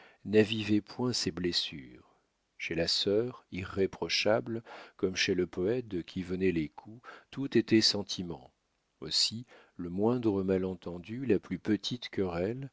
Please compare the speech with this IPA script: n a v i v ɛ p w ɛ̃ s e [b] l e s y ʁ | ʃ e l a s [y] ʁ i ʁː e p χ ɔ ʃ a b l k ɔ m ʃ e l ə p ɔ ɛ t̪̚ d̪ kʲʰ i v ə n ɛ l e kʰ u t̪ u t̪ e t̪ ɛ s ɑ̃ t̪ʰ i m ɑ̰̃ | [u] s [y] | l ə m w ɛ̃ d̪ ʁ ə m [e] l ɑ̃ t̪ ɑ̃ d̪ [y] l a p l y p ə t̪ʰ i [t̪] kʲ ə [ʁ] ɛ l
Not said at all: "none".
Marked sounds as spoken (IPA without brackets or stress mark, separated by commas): b, œ, o, i, a, y, t̪, ʁ